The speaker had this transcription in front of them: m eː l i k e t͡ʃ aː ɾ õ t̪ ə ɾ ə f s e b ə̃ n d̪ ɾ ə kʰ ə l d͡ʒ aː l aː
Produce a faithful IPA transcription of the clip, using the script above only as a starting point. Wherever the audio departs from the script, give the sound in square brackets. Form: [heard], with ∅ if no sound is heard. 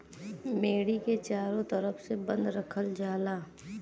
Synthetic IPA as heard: m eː [ɽ] i k e t͡ʃ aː ɾ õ t̪ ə ɾ ə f s e b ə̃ n d̪ ɾ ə kʰ ə l d͡ʒ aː l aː